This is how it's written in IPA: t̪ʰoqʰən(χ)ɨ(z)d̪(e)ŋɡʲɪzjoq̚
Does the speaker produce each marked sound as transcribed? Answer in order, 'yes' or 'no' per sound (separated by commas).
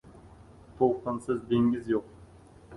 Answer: no, yes, yes